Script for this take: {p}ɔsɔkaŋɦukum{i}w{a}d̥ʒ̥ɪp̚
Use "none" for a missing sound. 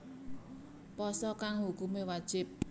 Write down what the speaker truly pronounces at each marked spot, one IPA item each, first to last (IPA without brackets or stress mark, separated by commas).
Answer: p, e, a